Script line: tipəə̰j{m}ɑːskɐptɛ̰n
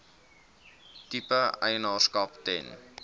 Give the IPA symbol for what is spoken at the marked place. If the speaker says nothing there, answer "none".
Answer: n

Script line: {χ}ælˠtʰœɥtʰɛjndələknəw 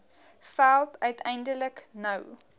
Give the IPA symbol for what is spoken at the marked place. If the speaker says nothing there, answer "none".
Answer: f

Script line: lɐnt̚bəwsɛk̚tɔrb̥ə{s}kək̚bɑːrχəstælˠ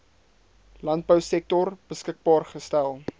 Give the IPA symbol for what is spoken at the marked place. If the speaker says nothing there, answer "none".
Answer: s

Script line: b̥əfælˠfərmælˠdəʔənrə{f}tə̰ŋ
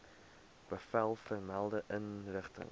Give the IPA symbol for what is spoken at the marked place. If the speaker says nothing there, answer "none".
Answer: χ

